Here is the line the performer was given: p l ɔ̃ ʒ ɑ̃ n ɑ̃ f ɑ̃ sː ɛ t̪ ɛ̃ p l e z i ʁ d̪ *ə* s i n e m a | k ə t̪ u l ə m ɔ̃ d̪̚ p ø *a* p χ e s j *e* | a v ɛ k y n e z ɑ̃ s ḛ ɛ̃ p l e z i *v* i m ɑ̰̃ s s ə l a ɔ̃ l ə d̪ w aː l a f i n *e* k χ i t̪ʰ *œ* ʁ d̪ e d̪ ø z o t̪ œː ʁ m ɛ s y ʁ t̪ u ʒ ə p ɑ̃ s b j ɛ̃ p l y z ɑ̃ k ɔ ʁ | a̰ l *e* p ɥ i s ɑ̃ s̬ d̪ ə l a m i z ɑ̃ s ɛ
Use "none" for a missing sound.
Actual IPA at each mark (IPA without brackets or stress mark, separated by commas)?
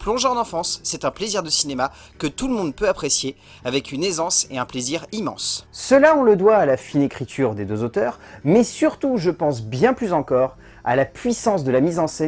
ə, a, e, ʁ, e, y, a